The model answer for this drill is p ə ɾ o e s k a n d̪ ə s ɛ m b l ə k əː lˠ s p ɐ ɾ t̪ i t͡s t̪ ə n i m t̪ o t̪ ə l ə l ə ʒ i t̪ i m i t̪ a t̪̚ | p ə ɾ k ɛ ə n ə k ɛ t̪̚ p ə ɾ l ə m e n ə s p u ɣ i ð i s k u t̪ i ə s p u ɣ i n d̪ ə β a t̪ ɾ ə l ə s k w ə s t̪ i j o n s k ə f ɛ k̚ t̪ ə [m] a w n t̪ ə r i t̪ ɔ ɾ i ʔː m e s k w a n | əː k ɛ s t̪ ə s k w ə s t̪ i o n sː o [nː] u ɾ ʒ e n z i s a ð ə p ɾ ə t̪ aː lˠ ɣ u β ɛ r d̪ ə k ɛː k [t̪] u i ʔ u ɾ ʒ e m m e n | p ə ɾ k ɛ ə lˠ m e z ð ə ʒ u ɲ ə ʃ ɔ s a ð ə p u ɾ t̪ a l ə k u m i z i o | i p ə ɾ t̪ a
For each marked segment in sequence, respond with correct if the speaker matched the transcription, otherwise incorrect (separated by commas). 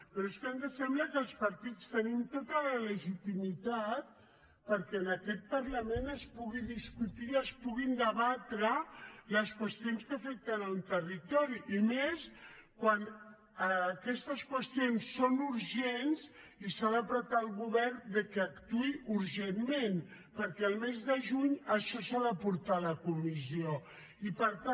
incorrect, incorrect, correct